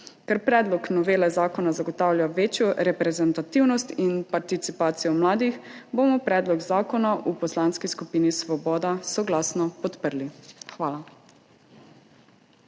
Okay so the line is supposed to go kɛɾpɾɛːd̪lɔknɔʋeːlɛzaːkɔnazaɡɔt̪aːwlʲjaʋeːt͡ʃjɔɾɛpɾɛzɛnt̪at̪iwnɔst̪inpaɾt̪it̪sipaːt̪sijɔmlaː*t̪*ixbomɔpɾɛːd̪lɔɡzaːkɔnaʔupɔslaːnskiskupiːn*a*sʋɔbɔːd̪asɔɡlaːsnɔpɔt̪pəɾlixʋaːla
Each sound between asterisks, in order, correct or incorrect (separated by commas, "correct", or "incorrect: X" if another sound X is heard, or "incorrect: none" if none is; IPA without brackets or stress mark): incorrect: d̪, incorrect: i